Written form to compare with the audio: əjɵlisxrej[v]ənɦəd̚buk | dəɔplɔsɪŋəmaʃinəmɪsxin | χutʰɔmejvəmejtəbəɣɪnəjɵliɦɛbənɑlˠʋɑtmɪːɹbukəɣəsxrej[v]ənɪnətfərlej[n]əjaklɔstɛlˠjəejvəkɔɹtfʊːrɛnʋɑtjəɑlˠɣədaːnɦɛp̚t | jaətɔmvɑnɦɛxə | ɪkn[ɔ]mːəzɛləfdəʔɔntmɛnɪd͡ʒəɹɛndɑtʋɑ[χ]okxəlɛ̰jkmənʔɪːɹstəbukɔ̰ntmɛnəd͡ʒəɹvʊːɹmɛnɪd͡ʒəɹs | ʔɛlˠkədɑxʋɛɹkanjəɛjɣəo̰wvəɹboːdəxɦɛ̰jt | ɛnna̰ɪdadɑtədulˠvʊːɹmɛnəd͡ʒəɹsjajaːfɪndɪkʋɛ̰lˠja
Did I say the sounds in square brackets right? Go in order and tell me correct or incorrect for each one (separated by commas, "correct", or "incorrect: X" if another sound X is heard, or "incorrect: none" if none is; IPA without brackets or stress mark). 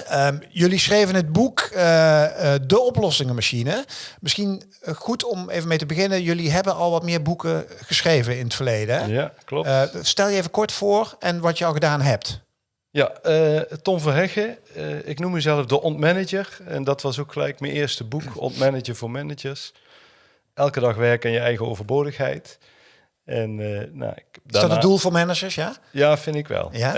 correct, correct, incorrect: d, incorrect: u, incorrect: s